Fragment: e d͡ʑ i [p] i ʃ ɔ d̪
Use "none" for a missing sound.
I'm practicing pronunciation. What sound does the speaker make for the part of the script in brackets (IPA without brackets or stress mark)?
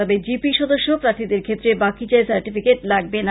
p